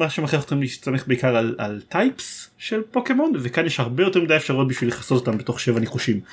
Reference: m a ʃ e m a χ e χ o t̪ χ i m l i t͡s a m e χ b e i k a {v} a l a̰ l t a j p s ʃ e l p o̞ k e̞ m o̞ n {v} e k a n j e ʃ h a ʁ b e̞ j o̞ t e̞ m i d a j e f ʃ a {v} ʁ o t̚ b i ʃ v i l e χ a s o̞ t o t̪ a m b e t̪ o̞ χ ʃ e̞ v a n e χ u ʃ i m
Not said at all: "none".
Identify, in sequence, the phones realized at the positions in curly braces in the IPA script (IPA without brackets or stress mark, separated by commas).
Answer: ʁ, v, none